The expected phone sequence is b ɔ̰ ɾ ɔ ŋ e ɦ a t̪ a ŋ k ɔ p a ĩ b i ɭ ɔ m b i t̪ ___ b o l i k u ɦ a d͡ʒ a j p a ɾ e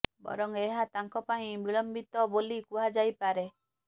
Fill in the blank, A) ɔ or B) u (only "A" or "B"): A